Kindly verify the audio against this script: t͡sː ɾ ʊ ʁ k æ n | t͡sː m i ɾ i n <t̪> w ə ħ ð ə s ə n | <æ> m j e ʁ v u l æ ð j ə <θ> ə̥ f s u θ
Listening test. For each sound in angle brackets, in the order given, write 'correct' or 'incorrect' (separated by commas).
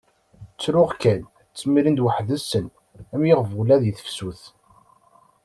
incorrect, correct, correct